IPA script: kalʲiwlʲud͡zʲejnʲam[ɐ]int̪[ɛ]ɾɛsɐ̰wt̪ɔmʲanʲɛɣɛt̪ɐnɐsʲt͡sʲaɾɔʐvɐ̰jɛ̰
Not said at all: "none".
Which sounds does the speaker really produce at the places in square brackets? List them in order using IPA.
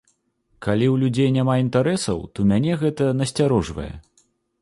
a, a

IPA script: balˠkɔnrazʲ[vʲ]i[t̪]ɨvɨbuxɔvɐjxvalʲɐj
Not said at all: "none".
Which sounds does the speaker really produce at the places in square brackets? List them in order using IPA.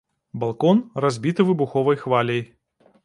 bʲ, t̪

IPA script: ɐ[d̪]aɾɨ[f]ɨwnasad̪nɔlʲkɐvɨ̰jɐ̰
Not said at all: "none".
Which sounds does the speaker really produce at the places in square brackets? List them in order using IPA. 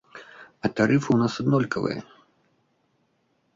t̪, f

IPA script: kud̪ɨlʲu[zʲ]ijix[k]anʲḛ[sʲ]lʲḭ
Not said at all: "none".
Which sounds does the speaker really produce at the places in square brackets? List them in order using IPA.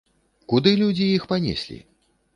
d͡zʲ, p, sʲ

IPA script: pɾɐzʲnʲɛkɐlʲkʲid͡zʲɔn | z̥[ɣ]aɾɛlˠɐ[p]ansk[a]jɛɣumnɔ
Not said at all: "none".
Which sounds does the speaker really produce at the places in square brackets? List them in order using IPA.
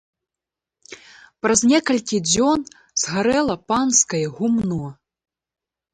ɣ, p, ɐ

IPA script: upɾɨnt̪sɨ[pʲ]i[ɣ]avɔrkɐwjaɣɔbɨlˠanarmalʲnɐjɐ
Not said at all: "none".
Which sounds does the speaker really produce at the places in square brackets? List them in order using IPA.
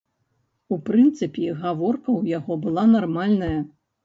pʲ, ɣ

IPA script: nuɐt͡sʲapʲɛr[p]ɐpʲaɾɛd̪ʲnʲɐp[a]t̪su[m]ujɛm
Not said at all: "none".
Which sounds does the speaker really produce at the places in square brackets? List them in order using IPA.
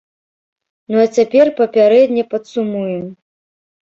p, ɐ, m

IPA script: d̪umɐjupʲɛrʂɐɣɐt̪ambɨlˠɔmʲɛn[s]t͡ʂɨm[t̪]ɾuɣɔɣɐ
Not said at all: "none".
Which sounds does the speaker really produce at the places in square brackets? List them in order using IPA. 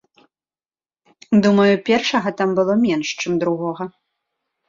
ʂ, d̪

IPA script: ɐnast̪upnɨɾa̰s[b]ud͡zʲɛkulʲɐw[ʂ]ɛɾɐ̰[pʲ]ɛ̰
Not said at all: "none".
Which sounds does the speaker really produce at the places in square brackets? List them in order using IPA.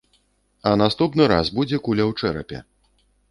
b, t͡ʂ, pʲ

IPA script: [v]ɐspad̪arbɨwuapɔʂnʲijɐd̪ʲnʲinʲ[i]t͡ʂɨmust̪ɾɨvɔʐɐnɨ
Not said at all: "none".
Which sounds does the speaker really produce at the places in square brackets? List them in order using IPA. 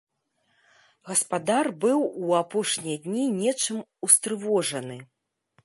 ɣ, ɛ

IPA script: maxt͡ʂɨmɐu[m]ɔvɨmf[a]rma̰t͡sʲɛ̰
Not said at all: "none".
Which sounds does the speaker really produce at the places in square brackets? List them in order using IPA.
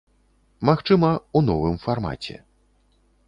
n, a

